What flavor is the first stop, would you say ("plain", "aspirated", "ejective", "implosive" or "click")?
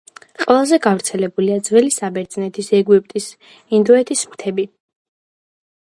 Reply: ejective